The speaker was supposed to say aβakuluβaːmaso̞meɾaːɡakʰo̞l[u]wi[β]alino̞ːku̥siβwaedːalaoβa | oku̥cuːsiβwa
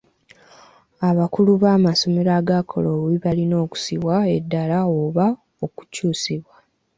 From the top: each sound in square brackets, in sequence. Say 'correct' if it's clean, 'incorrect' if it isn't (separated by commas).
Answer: incorrect, correct